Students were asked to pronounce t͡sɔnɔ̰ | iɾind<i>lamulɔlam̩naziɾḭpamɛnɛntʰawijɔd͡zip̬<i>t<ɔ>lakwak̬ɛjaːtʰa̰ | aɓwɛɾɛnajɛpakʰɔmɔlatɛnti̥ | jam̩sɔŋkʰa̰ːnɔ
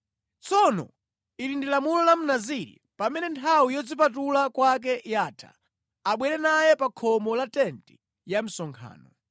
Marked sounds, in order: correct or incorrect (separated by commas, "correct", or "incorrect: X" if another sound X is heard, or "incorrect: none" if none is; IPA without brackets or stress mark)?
correct, incorrect: a, incorrect: u